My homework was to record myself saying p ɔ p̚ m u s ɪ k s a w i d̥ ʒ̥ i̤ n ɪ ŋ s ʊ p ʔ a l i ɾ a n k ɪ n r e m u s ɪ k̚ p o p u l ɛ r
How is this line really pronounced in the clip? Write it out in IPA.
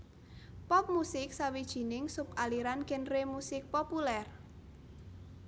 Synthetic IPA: p ɔ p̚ m u s ɪ k s a w i d̥ ʒ̥ i̤ n ɪ ŋ s ʊ p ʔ a l i ɾ a n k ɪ n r e m u s ɪ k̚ p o p u l ɛ r